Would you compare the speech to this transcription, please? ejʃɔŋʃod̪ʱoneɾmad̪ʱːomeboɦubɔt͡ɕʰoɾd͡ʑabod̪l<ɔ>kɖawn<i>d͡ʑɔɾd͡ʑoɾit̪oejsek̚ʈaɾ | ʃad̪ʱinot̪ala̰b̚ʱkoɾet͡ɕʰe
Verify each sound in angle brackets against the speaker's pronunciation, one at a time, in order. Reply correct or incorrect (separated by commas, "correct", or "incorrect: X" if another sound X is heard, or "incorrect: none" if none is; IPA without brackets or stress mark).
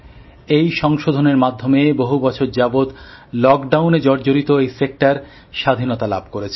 correct, incorrect: e